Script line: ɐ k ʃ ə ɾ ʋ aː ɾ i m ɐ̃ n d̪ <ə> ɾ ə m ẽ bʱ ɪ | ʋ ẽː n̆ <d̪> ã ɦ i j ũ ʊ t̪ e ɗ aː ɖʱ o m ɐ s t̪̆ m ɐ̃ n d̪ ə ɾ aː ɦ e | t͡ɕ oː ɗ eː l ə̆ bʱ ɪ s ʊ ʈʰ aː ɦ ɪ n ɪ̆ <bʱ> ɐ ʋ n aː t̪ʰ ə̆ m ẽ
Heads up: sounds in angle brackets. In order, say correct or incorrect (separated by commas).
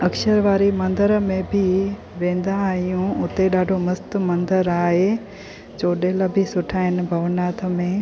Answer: correct, correct, correct